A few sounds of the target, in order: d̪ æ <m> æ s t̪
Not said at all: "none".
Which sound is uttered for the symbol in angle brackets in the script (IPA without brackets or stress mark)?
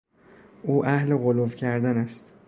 n